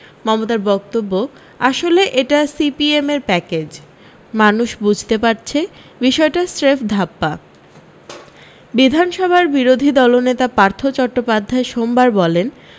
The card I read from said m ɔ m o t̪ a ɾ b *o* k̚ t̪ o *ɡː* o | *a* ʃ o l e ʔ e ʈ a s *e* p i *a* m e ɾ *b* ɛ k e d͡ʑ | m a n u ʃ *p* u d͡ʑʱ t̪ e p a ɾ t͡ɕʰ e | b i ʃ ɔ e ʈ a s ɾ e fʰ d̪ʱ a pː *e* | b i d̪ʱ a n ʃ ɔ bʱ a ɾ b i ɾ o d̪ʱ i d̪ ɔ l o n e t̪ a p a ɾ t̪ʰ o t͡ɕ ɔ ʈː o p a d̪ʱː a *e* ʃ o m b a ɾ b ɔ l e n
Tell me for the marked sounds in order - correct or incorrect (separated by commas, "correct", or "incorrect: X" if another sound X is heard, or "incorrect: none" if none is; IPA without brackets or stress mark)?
incorrect: ɔ, incorrect: bː, correct, incorrect: i, incorrect: e, incorrect: p, incorrect: b, incorrect: a, correct